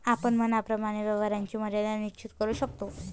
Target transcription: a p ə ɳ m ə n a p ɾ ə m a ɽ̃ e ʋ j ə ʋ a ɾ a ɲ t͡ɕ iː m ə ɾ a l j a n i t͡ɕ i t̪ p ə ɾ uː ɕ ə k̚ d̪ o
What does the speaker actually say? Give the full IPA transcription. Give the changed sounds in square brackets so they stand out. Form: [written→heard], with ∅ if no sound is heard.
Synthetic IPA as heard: a p ə ɳ m ə n a p ɾ ə m a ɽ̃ e ʋ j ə ʋ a ɾ a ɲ t͡ɕ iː m ə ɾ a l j a n i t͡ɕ i t̪ [p→k] ə ɾ uː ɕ ə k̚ [d̪→t̪] o